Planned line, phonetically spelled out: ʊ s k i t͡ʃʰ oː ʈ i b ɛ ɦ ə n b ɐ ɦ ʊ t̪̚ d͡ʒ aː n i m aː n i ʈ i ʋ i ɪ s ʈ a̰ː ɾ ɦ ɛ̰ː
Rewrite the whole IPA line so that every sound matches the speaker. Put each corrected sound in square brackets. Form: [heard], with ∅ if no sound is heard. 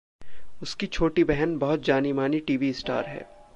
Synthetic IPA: ʊ s k i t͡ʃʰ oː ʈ i b ɛ ɦ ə n b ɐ ɦ ʊ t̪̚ d͡ʒ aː n i m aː n i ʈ [iː] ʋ i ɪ s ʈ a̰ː ɾ ɦ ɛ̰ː